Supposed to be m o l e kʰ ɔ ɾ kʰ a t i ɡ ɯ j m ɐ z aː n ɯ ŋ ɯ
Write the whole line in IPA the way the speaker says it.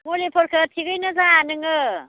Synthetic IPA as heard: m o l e pʰ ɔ ɾ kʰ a tʰ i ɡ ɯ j n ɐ z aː n ɯ ŋ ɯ